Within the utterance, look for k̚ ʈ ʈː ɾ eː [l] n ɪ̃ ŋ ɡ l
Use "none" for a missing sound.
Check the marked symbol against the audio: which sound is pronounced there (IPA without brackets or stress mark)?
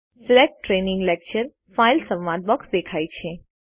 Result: none